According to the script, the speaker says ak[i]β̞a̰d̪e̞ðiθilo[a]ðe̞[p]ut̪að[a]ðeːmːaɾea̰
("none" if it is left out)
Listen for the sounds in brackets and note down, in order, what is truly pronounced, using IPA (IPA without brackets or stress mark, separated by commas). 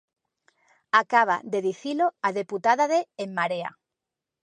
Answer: a, a, p, a